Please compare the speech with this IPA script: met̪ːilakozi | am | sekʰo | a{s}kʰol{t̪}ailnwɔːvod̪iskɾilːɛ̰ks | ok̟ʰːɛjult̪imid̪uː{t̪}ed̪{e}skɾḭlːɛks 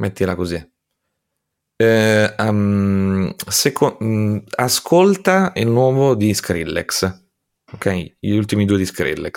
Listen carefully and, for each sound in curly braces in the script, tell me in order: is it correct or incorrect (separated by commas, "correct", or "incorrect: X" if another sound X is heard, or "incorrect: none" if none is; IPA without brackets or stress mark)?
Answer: correct, correct, incorrect: none, incorrect: i